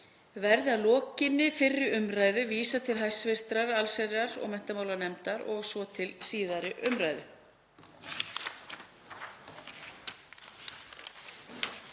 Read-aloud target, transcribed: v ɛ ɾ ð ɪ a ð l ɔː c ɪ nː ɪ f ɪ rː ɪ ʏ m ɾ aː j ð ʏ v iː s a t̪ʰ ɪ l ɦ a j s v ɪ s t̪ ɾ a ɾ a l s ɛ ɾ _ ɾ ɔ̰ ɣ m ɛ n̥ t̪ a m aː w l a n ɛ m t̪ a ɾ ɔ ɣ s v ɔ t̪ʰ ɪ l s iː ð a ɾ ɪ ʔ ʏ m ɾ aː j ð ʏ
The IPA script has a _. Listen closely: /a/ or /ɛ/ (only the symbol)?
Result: a